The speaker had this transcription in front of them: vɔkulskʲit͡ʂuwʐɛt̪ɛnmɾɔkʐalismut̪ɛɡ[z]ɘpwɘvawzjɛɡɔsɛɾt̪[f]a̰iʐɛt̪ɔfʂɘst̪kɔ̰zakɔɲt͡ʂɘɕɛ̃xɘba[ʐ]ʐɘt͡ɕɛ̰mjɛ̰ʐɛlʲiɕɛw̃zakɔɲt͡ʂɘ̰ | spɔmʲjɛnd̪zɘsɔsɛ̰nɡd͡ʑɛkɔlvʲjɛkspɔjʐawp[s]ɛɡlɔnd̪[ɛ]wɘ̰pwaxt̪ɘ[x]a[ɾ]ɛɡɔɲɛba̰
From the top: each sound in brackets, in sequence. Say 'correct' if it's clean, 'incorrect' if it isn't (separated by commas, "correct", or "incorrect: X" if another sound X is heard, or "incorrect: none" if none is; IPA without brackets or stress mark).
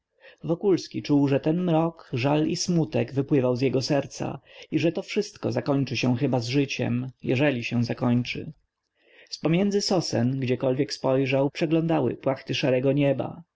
incorrect: v, incorrect: s, incorrect: z, incorrect: ʂ, incorrect: a, incorrect: ʂ, correct